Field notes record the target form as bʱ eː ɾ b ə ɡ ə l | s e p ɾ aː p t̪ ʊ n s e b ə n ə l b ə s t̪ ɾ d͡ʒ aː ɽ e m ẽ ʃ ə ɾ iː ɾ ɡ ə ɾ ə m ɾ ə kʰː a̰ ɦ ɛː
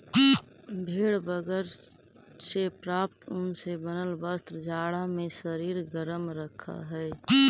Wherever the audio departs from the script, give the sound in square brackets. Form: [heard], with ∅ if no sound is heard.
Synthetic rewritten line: bʱ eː [ɽ] b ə ɡ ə [ɾ] | s e p ɾ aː p t̪ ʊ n s e b ə n ə l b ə s t̪ ɾ d͡ʒ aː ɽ [a] m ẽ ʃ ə ɾ iː ɾ ɡ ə ɾ ə m ɾ ə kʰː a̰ ɦ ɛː